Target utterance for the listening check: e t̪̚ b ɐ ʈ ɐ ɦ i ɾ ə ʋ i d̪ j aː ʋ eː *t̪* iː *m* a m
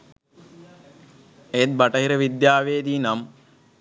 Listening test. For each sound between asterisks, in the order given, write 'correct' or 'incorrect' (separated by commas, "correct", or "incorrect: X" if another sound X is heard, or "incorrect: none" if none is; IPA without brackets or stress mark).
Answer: incorrect: d̪, incorrect: n